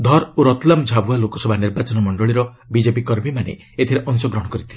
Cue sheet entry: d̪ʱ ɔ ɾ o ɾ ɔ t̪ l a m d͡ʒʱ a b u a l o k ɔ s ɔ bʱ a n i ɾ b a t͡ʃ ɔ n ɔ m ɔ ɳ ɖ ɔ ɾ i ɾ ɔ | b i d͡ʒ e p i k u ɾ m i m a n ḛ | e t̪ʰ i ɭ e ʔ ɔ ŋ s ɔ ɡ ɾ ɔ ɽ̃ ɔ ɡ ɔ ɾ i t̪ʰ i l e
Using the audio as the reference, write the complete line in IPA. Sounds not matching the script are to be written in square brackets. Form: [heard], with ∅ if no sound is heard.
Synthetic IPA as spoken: d̪ʱ ɔ ɾ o ɾ ɔ t̪ l a m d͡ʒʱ a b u a l o k ɔ s ɔ bʱ a n i ɾ b a t͡ʃ ɔ n ɔ m ɔ ɳ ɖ ɔ [ɭ] i ɾ ɔ | b i d͡ʒ e p i k [ɔ] ɾ m i m a n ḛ | e t̪ʰ i [ɾ] e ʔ ɔ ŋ s ɔ ɡ ɾ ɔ ɽ̃ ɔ [k] ɔ ɾ i t̪ʰ i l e

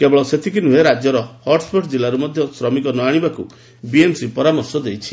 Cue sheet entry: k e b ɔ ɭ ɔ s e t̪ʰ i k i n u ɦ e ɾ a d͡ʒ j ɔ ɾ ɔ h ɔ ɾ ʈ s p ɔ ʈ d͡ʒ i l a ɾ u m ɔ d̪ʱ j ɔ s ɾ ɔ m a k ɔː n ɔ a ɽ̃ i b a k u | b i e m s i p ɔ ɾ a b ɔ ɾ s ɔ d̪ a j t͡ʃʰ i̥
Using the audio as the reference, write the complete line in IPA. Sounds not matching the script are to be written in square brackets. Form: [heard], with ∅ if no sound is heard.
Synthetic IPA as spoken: k e b ɔ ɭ ɔ s e t̪ʰ i k i n u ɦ e ɾ a d͡ʒ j ɔ ɾ ɔ h ɔ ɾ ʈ s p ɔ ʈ d͡ʒ i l a ɾ u m ɔ d̪ʱ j ɔ s ɾ ɔ m [i] k [ɔ] n ɔ a ɽ̃ i b a k u | b i e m s i p ɔ ɾ a [m] ɔ ɾ s ɔ d̪ [e] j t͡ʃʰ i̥

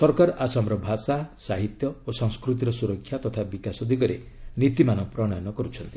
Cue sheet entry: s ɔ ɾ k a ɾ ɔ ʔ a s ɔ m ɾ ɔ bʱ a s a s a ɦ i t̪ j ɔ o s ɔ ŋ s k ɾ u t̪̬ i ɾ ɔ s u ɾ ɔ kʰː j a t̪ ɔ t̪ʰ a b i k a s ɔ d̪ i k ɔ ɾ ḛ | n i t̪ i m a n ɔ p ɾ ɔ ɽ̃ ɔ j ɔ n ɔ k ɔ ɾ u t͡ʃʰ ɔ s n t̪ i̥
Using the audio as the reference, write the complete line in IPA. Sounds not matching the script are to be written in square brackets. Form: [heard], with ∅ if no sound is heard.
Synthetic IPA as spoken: s ɔ ɾ k a ɾ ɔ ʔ a s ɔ m ɾ ɔ bʱ a s a s a ɦ i t̪ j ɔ o s ɔ ŋ s k ɾ u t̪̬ i ɾ ɔ s u ɾ ɔ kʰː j a t̪ ɔ t̪ʰ a b i k a s ɔ d̪ i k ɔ ɾ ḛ | n i t̪ i m a n ɔ p ɾ ɔ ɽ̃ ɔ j ɔ n ɔ k ɔ ɾ u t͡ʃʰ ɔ [∅] n t̪ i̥

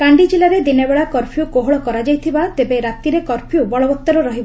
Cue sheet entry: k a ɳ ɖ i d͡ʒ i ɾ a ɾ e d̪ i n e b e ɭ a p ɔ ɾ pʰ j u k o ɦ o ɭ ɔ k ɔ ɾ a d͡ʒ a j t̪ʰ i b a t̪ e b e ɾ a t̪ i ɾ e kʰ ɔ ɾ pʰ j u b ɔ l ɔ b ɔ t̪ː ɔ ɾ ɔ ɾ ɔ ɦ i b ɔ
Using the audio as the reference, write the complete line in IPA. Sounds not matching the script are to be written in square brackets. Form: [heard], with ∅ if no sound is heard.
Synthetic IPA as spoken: k a ɳ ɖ i d͡ʒ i [l] a ɾ e d̪ i n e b e ɭ a [k] ɔ ɾ pʰ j u k o ɦ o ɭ ɔ k ɔ ɾ a d͡ʒ a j t̪ʰ i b a t̪ e b e ɾ a t̪ i ɾ e [k] ɔ ɾ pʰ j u b ɔ [ɭ] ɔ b ɔ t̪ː ɔ ɾ ɔ ɾ ɔ ɦ i b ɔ

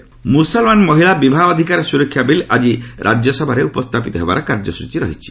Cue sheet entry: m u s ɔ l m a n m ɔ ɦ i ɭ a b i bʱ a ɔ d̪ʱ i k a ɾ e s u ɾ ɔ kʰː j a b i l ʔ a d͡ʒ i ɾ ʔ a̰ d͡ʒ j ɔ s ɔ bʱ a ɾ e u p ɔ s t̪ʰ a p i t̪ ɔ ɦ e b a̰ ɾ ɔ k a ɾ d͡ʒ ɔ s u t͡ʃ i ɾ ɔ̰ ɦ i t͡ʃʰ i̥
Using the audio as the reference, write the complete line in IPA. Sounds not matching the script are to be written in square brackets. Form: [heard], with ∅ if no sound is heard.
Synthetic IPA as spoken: m u s ɔ l m a n m ɔ ɦ i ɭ a b i bʱ a ɔ d̪ʱ i k a ɾ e s u ɾ ɔ kʰː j a b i l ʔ a d͡ʒ i ɾ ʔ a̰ d͡ʒ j ɔ s ɔ bʱ a ɾ e u p ɔ s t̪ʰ a p i t̪ ɔ ɦ e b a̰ ɾ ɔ k a ɾ d͡ʒ ɔ s u t͡ʃ i ɾ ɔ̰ ɦ i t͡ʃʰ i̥

